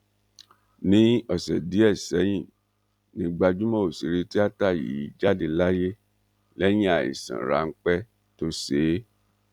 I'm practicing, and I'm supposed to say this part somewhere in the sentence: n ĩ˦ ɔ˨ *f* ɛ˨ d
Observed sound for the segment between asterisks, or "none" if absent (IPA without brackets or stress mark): s